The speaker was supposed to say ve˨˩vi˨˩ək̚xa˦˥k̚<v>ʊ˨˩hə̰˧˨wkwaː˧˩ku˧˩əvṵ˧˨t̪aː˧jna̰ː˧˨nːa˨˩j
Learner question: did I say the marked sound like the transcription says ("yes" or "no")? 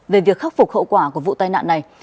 no